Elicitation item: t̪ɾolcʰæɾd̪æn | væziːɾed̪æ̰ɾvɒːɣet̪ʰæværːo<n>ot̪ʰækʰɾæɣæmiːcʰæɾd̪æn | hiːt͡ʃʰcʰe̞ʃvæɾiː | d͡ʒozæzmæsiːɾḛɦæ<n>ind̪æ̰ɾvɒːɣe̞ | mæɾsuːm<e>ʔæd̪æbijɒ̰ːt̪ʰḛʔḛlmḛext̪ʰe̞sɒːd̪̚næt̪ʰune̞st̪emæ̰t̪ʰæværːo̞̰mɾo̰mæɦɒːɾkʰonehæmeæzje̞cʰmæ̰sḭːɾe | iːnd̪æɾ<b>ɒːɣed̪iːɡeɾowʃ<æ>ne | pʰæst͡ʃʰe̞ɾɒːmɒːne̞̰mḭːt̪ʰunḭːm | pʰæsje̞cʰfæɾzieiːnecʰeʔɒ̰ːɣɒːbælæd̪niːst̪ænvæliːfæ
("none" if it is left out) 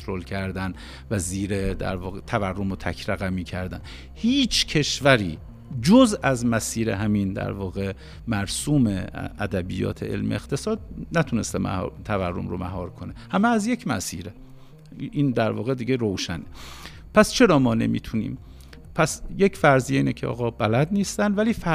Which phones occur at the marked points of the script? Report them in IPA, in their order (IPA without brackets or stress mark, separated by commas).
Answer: m, m, e, v, æ